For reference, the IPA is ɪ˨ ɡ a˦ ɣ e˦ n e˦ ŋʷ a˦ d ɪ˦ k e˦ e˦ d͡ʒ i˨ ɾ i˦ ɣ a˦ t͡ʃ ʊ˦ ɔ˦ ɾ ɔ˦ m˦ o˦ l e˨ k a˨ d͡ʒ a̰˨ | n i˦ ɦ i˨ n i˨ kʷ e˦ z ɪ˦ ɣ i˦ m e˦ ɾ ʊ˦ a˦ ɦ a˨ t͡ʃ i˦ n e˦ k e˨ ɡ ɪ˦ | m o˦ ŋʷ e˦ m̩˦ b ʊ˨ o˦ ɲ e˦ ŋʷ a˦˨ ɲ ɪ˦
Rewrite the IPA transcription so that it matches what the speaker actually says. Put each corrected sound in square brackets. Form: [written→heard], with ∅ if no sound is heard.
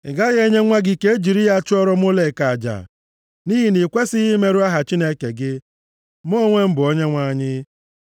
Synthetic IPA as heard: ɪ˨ ɡ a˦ ɣ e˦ [n→ɲ] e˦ ŋʷ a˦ [d→ɡ] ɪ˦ k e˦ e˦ d͡ʒ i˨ ɾ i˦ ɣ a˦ t͡ʃ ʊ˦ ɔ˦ ɾ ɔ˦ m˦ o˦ l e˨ k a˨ d͡ʒ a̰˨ | n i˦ ɦ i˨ n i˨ kʷ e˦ [z→s] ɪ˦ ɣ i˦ m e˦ ɾ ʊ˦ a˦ ɦ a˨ t͡ʃ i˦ n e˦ k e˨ ɡ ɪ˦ | m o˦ ŋʷ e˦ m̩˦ b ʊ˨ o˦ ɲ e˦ ŋʷ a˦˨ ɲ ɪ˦